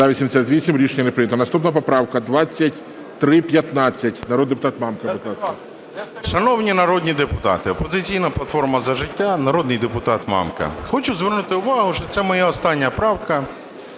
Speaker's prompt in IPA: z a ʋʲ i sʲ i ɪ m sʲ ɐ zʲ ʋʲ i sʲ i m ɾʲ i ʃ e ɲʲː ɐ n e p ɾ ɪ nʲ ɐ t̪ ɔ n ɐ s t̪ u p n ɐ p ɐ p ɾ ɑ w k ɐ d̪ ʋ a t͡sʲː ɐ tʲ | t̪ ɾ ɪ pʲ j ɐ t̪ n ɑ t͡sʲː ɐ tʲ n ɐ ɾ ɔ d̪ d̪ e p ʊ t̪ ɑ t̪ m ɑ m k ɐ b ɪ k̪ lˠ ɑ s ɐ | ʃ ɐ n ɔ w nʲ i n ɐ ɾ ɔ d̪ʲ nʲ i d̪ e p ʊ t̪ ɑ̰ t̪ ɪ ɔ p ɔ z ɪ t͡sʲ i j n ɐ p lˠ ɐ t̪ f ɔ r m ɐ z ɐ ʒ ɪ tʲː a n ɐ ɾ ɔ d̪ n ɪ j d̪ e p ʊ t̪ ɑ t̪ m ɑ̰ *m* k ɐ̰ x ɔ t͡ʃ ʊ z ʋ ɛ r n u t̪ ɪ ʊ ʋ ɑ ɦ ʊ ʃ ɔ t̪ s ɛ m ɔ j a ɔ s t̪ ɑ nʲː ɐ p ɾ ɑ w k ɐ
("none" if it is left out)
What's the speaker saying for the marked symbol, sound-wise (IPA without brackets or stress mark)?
m